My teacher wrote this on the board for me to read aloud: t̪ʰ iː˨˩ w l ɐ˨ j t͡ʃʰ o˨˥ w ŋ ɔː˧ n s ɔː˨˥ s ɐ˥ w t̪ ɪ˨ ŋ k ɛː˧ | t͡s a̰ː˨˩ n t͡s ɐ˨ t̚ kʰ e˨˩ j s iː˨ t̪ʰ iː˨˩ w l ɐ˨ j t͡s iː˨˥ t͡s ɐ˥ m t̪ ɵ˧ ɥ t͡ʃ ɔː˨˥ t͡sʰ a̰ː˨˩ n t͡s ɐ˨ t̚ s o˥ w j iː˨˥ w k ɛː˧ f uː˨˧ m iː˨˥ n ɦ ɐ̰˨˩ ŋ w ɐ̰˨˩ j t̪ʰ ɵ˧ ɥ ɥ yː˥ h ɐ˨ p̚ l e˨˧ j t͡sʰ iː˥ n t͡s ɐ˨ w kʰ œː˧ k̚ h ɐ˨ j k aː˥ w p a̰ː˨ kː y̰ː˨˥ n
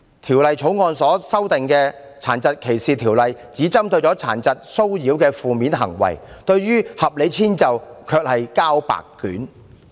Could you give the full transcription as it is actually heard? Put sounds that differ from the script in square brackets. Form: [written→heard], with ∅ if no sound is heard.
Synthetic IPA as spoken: t̪ʰ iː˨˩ w l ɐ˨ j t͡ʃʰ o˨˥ w ŋ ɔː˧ n s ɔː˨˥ s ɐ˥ w t̪ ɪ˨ ŋ k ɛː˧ | [t͡s→t͡sʰ] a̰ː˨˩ n t͡s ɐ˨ t̚ kʰ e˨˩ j s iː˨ t̪ʰ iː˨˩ w l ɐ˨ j t͡s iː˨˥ t͡s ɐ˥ m t̪ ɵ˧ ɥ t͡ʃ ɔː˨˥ t͡sʰ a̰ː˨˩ n t͡s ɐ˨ t̚ s o˥ w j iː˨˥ w k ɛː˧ f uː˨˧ m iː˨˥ n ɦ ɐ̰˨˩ ŋ w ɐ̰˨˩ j [t̪ʰ→t̪] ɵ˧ ɥ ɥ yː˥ h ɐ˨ p̚ l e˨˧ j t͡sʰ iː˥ n t͡s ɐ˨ w kʰ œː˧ k̚ h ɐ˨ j k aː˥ w p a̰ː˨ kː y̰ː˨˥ n